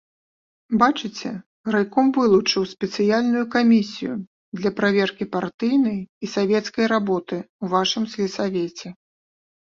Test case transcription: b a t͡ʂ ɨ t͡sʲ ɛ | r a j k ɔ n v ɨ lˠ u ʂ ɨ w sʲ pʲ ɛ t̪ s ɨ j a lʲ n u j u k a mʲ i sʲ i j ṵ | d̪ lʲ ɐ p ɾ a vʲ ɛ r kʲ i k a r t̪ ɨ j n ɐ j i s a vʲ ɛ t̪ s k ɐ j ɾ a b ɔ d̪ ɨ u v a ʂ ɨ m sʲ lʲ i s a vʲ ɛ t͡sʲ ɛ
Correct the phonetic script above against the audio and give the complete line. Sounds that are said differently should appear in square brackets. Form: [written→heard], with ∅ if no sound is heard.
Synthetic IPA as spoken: b a t͡ʂ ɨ t͡sʲ ɛ | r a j k ɔ [n→m] v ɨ lˠ u [ʂ→t͡ʂ] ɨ w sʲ pʲ ɛ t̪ s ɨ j a lʲ n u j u k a mʲ i sʲ i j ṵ | d̪ lʲ ɐ p ɾ a vʲ ɛ r kʲ i [k→p] a r t̪ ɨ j n ɐ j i s a vʲ ɛ t̪ s k ɐ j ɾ a b ɔ [d̪→t̪] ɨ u v a ʂ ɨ m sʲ lʲ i s a vʲ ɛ t͡sʲ ɛ